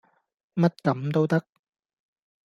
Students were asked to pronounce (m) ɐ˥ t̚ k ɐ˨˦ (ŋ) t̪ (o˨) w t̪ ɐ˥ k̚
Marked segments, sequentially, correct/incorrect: correct, incorrect, incorrect

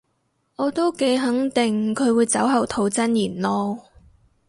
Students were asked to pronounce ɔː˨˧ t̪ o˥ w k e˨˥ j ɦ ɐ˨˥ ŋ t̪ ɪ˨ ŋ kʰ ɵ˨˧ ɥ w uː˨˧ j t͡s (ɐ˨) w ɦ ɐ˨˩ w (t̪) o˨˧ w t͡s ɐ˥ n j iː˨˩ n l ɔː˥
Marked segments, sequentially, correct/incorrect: incorrect, incorrect

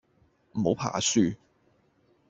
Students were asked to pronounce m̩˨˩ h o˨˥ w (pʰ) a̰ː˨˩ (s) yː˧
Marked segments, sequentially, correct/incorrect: correct, correct

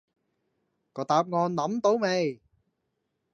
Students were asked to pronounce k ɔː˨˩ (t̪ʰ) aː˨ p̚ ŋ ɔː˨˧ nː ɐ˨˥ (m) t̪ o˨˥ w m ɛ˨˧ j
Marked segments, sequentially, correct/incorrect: incorrect, correct

